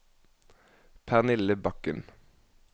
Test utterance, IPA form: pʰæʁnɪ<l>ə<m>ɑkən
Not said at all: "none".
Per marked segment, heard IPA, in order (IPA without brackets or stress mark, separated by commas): l, b